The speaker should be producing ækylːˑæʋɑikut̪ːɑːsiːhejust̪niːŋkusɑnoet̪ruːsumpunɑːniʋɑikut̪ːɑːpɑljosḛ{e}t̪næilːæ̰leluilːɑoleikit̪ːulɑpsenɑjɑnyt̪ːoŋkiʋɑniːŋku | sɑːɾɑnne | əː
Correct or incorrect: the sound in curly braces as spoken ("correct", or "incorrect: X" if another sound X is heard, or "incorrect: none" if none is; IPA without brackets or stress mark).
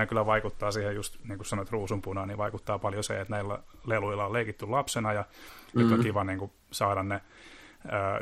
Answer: correct